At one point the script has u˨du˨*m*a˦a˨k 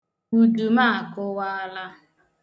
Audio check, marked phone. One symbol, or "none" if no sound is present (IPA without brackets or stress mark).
m